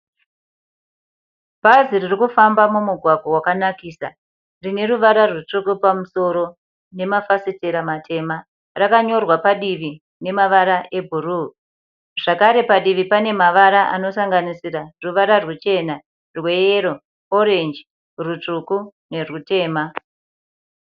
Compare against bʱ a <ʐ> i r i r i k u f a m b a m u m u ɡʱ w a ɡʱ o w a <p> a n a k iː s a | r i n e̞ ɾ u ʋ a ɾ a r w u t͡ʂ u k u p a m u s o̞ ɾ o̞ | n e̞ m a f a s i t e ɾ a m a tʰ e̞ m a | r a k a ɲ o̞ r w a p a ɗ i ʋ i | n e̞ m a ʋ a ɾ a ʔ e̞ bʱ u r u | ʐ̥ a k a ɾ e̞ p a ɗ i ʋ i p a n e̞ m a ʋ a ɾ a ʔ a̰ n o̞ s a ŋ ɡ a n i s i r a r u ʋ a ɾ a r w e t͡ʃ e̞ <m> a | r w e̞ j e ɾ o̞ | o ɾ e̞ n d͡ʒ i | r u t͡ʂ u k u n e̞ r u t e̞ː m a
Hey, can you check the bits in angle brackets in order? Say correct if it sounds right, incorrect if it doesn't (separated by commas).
incorrect, incorrect, incorrect